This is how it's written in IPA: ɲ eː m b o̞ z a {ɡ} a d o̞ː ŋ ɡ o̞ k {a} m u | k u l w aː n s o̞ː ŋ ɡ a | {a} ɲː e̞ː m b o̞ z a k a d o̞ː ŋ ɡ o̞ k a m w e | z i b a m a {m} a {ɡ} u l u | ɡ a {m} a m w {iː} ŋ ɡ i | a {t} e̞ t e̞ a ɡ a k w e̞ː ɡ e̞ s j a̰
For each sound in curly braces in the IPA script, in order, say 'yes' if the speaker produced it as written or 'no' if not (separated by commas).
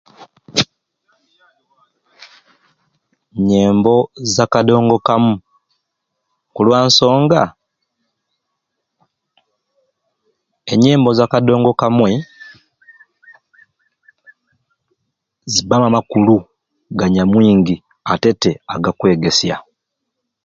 no, yes, no, yes, no, no, yes, yes